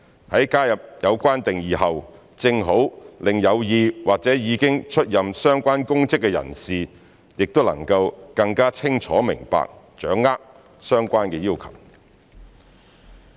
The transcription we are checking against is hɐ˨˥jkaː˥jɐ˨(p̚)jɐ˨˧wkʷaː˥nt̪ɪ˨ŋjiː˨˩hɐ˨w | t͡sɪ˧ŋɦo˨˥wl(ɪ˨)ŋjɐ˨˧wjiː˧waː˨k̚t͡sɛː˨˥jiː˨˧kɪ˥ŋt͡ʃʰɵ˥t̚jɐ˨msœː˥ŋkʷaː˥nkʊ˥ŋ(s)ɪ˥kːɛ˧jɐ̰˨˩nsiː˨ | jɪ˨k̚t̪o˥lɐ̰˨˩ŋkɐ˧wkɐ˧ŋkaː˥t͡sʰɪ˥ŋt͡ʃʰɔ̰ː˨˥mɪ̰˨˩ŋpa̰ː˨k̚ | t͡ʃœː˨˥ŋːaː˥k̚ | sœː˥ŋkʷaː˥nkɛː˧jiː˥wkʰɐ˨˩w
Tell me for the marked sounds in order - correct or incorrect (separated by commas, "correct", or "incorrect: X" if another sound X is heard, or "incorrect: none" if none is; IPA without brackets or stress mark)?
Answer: correct, correct, incorrect: t͡s